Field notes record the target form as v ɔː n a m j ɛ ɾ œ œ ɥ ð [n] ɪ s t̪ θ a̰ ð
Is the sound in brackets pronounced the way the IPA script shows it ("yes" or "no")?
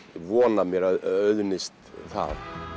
yes